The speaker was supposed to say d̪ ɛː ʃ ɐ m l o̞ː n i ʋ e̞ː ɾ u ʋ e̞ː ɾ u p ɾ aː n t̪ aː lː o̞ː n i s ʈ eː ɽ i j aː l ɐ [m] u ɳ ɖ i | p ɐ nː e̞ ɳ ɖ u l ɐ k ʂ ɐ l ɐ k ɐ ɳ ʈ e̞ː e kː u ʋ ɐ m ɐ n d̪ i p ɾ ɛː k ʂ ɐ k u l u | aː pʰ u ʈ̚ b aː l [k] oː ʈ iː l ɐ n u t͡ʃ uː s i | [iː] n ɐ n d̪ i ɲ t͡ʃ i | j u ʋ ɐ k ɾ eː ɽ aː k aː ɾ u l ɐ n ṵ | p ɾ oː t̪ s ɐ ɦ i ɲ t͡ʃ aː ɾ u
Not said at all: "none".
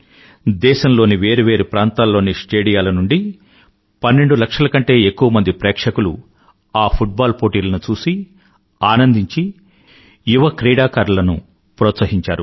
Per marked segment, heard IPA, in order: n, p, aː

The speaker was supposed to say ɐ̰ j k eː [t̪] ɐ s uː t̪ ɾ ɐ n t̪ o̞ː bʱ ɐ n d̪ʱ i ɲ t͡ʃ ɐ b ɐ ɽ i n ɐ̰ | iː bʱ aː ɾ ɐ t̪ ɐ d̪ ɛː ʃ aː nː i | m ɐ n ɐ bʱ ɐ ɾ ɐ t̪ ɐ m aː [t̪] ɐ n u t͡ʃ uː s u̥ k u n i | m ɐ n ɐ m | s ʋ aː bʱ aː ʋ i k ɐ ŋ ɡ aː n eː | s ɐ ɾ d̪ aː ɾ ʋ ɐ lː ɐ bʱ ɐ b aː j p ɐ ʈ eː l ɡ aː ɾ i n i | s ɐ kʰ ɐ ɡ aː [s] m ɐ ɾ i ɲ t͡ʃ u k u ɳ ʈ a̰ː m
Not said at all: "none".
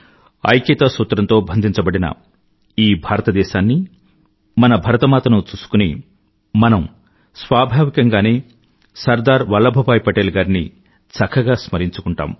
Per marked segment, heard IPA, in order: t̪, t̪, s

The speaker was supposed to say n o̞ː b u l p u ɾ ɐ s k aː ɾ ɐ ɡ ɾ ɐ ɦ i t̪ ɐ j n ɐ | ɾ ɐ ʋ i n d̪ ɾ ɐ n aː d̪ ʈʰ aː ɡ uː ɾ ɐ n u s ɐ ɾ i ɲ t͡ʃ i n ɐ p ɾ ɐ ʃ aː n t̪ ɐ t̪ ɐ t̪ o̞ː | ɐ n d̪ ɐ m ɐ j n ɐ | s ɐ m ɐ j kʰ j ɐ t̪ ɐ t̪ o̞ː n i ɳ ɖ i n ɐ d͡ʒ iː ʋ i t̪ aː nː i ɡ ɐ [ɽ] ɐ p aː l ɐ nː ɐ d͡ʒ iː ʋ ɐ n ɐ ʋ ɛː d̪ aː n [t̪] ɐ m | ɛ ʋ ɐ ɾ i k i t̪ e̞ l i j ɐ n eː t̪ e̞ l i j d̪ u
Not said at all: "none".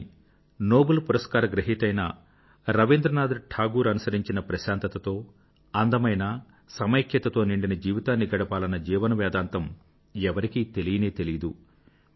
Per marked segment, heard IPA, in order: ɽ, t̪

